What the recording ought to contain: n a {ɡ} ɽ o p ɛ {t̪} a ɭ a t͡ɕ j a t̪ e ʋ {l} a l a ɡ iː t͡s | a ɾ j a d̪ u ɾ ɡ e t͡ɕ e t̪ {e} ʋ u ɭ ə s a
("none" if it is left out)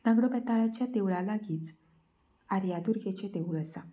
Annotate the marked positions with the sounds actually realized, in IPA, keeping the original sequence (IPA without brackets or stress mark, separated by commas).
ɡ, t̪, ɭ, e